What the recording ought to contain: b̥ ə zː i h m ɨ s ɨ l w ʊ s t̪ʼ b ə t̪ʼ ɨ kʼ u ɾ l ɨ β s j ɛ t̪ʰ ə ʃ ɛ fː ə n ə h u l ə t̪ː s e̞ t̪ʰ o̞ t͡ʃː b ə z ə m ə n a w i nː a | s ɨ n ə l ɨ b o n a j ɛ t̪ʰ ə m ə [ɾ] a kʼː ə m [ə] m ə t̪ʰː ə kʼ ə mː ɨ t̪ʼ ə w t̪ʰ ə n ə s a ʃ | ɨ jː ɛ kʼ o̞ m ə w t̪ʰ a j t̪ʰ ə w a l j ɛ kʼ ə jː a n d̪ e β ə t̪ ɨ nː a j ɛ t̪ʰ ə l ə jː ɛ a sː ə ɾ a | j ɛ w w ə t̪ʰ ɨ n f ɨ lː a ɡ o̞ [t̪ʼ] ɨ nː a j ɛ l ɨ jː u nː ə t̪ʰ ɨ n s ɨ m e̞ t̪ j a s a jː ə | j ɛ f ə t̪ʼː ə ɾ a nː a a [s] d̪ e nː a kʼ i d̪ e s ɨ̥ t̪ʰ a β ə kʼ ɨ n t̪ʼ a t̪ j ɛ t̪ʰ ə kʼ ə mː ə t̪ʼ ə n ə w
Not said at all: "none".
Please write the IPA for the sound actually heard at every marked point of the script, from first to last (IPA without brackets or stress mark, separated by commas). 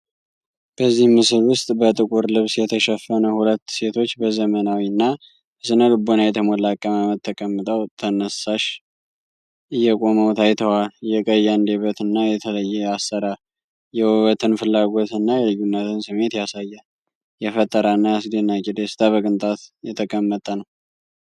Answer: l, a, t̪, s